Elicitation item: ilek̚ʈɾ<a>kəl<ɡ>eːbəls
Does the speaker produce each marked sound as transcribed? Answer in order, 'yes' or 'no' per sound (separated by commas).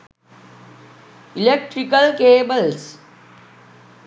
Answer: no, no